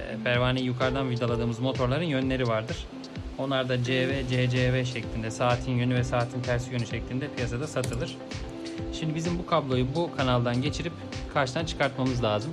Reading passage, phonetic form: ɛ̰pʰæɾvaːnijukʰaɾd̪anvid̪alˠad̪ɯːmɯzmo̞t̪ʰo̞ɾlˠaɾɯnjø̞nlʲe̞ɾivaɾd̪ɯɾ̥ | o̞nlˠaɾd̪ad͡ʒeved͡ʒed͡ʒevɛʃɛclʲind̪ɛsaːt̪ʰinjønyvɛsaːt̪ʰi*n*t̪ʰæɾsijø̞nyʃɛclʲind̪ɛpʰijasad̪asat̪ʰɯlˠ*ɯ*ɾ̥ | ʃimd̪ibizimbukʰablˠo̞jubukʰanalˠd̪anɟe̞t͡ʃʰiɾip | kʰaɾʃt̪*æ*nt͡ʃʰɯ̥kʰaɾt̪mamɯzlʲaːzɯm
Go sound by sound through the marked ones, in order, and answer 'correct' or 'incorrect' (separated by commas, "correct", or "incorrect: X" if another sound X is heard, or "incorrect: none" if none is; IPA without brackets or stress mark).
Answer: correct, correct, incorrect: a